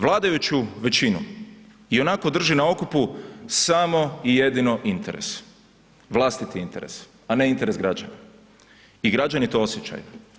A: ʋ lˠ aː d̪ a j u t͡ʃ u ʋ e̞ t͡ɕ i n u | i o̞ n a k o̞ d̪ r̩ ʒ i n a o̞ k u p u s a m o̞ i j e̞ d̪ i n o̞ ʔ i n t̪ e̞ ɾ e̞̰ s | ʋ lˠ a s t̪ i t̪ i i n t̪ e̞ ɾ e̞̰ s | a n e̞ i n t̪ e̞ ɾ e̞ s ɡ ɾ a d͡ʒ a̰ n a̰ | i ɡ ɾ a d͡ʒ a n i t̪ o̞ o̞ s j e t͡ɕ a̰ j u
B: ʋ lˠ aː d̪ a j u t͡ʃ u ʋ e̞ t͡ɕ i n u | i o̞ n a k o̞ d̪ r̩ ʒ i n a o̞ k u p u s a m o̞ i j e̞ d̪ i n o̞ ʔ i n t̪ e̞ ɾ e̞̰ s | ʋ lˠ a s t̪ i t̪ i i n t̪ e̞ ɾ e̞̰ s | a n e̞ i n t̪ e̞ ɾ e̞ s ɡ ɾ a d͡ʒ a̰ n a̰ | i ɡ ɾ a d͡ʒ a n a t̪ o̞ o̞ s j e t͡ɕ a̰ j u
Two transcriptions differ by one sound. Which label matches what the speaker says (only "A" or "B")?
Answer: A